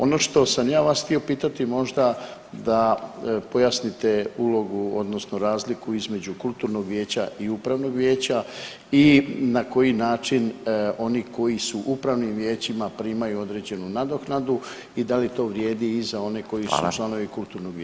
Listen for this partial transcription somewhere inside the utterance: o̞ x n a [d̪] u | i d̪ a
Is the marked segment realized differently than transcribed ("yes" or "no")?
no